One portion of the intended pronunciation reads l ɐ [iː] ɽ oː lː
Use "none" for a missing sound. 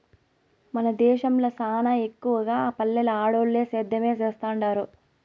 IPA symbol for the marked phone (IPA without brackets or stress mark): aː